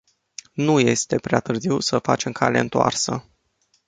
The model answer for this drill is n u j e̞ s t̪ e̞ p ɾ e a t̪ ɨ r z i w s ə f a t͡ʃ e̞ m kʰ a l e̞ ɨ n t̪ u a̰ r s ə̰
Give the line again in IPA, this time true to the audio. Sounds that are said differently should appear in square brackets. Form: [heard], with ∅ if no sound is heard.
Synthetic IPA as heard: n u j e̞ s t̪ e̞ p ɾ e a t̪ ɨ r z i w s ə f a t͡ʃ e̞ m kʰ a l e̞ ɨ n t̪ [o] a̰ r s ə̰

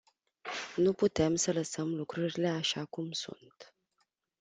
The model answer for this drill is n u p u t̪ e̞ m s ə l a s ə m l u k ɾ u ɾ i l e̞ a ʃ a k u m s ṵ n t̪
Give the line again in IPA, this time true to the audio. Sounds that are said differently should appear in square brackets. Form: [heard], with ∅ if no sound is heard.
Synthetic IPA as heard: n u p u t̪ e̞ m s ə l [ə] s ə m l u k ɾ u ɾ i l e̞ a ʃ a k u m s ṵ n t̪

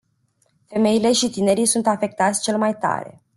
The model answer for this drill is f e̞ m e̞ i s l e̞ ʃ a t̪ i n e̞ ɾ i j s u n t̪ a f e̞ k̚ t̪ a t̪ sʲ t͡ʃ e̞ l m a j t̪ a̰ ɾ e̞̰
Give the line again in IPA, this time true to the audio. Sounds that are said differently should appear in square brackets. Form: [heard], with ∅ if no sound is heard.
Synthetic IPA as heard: f e̞ m e̞ i [∅] l e̞ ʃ [i] t̪ i n e̞ ɾ i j s u n t̪ a f e̞ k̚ t̪ a t̪ sʲ t͡ʃ e̞ l m a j t̪ a̰ ɾ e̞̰

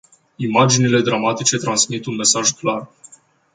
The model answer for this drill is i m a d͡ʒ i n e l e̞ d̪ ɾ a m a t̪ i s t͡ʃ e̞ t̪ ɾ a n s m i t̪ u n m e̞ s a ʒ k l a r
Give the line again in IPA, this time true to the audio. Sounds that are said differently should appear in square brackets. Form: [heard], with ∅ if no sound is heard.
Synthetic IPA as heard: i m a d͡ʒ i n [i] l e̞ d̪ ɾ a m a t̪ i [∅] t͡ʃ e̞ t̪ ɾ a n s m i t̪ u n m e̞ s a ʒ k l a r

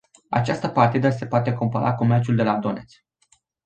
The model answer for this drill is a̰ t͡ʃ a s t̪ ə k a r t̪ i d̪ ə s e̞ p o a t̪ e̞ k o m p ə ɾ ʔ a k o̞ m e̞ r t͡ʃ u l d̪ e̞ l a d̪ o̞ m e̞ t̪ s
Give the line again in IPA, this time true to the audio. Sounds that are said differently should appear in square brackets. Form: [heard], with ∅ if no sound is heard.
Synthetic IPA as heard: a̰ t͡ʃ a s t̪ ə [p] a r t̪ i d̪ ə s e̞ p o a t̪ e̞ k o m p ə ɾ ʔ a k o̞ m e̞ r t͡ʃ u l d̪ e̞ l a d̪ o̞ [n] e̞ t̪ s

